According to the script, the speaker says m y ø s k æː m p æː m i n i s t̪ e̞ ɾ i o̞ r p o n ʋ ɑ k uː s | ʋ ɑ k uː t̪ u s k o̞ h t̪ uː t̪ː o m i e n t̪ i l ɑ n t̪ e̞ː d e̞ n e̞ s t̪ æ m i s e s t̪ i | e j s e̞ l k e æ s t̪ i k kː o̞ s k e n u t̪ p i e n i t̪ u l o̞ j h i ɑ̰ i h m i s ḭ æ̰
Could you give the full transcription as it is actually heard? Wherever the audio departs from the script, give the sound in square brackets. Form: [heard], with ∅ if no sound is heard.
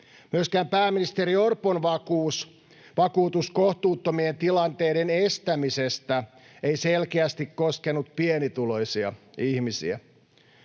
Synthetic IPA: m y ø s k æː m p æː m i n i s t̪ e̞ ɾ i o̞ r p o n ʋ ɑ k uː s | ʋ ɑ k uː t̪ u s k o̞ h t̪ uː t̪ː o m i e n t̪ i l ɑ n t̪ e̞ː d e̞ n e̞ s t̪ æ m i s e s t̪ [æ] | e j s e̞ l k e æ s t̪ i k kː o̞ s k e n u t̪ p i e n i t̪ u l o̞ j [s] i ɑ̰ i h m i s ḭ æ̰